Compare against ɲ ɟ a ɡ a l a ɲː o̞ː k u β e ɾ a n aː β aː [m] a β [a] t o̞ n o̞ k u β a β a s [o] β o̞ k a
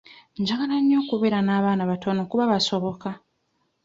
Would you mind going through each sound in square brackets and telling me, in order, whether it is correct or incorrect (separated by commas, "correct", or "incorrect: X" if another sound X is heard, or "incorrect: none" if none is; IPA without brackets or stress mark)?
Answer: incorrect: n, correct, correct